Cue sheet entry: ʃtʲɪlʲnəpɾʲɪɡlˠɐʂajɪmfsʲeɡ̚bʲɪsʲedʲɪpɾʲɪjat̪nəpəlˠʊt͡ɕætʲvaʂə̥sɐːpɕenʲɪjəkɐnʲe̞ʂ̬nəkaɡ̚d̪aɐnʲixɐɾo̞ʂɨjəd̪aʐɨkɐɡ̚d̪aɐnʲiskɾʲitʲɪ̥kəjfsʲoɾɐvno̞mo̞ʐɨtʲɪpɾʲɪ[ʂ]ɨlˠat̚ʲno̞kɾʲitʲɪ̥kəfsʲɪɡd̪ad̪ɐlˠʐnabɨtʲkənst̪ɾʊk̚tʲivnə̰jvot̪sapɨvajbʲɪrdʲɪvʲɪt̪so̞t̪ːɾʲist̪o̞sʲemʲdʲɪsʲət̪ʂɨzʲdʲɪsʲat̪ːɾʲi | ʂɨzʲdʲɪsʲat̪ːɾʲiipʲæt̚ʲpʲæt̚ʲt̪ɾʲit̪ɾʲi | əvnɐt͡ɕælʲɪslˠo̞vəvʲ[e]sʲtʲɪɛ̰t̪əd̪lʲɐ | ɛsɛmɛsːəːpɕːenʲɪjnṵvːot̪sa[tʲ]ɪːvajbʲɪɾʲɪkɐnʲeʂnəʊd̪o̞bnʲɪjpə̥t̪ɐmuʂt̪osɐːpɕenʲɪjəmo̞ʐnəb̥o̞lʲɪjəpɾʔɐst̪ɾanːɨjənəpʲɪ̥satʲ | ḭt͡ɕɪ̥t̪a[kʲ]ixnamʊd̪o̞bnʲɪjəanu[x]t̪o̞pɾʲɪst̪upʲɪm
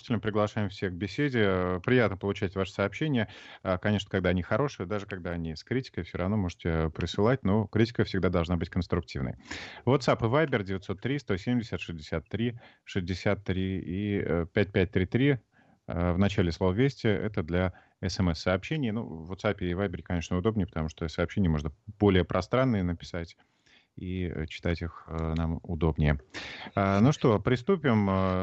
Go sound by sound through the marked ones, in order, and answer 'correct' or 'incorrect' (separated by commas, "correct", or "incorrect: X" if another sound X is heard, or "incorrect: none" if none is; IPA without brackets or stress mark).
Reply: incorrect: s, correct, incorrect: pʲ, incorrect: tʲ, incorrect: ʂ